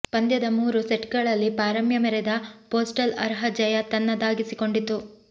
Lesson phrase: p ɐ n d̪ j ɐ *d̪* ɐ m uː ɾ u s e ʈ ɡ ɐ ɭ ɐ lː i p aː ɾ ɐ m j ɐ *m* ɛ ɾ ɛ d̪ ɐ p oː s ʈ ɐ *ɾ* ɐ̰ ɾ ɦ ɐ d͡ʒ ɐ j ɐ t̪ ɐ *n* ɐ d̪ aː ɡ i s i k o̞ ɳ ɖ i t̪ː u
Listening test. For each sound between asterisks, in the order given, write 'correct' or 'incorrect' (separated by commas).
correct, correct, incorrect, incorrect